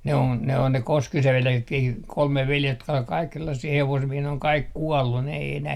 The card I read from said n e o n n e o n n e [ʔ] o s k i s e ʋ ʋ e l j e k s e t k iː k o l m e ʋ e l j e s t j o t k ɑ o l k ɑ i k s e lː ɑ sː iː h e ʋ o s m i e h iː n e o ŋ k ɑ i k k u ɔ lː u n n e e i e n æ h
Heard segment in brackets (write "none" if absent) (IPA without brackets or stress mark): k